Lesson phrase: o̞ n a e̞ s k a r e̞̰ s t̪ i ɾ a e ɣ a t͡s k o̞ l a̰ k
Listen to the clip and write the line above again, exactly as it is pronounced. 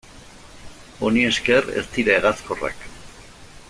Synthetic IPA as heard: o̞ n i e̞ s k e r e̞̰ s t̪ i ɾ a e ɣ a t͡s k o̞ r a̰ k

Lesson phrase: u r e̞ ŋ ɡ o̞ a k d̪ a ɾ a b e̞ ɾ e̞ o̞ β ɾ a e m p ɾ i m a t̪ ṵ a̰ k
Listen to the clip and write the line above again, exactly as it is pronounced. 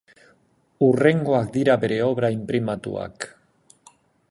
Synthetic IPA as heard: u r e̞ ŋ ɡ o̞ a k d̪ i ɾ a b e̞ ɾ e̞ o̞ β ɾ a i m p ɾ i m a t̪ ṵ a̰ k

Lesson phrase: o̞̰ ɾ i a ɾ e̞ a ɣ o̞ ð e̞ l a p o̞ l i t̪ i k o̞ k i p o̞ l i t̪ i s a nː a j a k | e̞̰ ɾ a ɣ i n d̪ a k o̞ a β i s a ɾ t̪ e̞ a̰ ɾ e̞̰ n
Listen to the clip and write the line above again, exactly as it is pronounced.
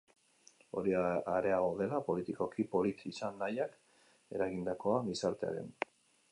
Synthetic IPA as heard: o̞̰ ɾ i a ɾ e̞ a ɣ o̞ ð e̞ l a p o̞ l i t̪ i k o̞ k i p o̞ l i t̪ i s a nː a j a k | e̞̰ ɾ a ɣ i n d̪ a k o̞ a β i s a ɾ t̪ e̞ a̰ ɾ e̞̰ n

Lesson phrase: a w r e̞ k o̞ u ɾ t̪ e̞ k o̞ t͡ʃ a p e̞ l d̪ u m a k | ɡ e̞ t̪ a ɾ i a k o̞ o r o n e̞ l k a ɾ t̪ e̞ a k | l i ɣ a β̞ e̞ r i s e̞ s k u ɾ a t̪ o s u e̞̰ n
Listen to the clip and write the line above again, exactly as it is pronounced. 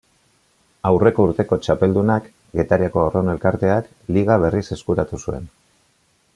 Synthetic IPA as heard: a w r e̞ k o̞ u ɾ t̪ e̞ k o̞ t͡ʃ a p e̞ l d̪ u n a k | ɡ e̞ t̪ a ɾ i a k o̞ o r o n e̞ l k a ɾ t̪ e̞ a k | l i ɣ a β̞ e̞ r i s e̞ s k u ɾ a t̪ u s u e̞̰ n

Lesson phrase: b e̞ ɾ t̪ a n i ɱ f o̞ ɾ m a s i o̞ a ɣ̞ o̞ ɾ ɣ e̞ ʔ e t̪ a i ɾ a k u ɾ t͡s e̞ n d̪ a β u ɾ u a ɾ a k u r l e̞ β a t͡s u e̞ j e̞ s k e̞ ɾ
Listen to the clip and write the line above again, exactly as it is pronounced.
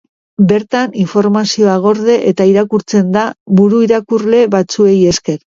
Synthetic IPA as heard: b e̞ ɾ t̪ a n i ɱ f o̞ ɾ m a s i o̞ a ɣ̞ o̞ ɾ ð e̞ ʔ e t̪ a i ɾ a k u ɾ t͡s e̞ n d̪ a β u ɾ u i ɾ a k u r l e̞ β a t͡s u e̞ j e̞ s k e̞ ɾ

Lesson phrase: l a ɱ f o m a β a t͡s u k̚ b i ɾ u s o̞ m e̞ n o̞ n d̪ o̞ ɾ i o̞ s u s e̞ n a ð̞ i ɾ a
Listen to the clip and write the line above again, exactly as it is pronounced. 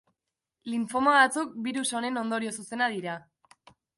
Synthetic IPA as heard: l i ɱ f o m a β a t͡s u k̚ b i ɾ u s o̞ n e̞ n o̞ n d̪ o̞ ɾ i o̞ s u s e̞ n a ð̞ i ɾ a

